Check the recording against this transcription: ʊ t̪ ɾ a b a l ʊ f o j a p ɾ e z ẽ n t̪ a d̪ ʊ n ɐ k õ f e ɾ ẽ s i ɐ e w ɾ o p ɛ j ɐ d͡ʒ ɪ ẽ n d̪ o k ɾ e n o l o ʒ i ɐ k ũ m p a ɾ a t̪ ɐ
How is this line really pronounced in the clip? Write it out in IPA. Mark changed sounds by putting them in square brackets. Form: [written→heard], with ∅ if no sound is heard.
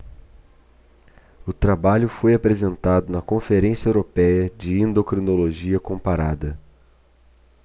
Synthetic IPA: ʊ t̪ ɾ a b a [l→ʎ] ʊ f o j a p ɾ e z ẽ n t̪ a d̪ ʊ n ɐ k õ f e ɾ ẽ s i ɐ e w ɾ o p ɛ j ɐ d͡ʒ ɪ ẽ n d̪ o k ɾ [e→i] n o l o ʒ i ɐ k [ũ→õ] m p a ɾ a [t̪→d̪] ɐ